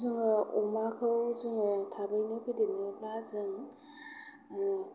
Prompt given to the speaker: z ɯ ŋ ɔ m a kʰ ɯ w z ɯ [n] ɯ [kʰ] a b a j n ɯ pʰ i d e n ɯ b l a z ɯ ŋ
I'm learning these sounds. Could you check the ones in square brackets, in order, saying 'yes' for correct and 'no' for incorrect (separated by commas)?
no, no